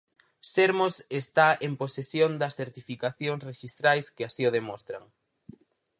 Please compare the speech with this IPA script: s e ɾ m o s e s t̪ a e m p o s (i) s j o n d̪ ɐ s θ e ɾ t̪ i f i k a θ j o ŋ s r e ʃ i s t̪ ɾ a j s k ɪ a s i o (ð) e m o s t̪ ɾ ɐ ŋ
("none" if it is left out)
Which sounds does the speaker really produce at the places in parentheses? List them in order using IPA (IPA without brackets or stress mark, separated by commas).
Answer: e, ð